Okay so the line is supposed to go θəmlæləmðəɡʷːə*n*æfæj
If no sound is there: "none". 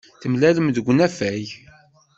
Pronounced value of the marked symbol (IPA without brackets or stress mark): n